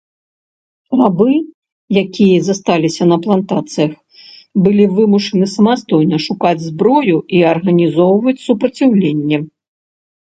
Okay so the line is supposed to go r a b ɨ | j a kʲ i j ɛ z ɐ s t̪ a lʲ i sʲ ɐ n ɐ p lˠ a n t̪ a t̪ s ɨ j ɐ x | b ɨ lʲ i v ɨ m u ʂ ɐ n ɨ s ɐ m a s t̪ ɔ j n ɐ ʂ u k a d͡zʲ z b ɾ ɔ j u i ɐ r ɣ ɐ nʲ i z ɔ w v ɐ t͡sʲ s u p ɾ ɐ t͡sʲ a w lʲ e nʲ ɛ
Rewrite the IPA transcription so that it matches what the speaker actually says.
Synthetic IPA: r a b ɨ | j a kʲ i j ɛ z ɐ s t̪ a lʲ i sʲ ɐ n ɐ p lˠ a n t̪ a t̪ s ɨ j ɐ x | b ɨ lʲ i v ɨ m u ʂ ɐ n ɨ s ɐ m a s t̪ ɔ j n ɐ ʂ u k a d͡zʲ z b ɾ ɔ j u i ɐ r ɣ ɐ nʲ i z ɔ w v ɐ t͡sʲ s u p ɾ ɐ t͡sʲ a w lʲ e nʲː ɛ